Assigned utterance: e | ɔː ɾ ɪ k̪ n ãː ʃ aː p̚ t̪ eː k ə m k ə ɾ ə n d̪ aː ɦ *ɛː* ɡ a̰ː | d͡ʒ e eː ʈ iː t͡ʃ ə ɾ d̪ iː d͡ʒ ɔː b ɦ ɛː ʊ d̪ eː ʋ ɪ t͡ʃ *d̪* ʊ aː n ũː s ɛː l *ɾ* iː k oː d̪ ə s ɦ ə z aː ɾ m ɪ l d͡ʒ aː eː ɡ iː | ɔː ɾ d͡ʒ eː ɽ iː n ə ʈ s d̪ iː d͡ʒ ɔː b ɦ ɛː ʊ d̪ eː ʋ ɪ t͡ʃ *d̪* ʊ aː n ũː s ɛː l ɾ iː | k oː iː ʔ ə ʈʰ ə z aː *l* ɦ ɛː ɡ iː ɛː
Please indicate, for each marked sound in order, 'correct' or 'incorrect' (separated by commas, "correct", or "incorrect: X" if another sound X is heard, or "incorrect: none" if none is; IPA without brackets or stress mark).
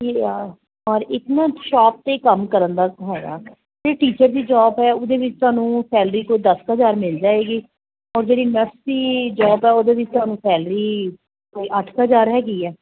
correct, incorrect: t̪, correct, incorrect: t̪, incorrect: ɾ